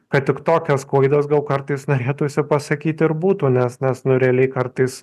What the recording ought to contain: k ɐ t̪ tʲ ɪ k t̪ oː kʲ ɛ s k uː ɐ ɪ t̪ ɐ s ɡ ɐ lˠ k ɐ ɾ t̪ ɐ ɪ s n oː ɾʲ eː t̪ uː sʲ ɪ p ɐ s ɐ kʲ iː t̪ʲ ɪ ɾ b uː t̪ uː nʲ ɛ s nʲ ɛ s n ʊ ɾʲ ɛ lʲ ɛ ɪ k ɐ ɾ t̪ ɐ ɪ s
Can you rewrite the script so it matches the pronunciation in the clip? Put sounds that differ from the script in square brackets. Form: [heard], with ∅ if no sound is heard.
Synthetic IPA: k ɐ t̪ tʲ ɪ k t̪ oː kʲ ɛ s k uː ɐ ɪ [d̪] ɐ s ɡ ɐ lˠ k ɐ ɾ t̪ ɐ ɪ s n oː ɾʲ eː t̪ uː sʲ ɪ p ɐ s ɐ kʲ iː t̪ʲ ɪ ɾ b uː t̪ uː nʲ ɛ s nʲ ɛ s n ʊ ɾʲ ɛ lʲ ɛ ɪ k ɐ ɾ t̪ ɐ ɪ s